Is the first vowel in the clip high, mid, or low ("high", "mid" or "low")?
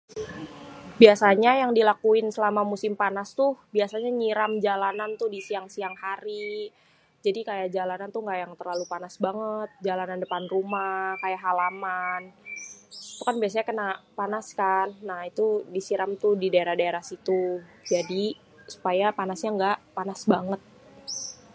high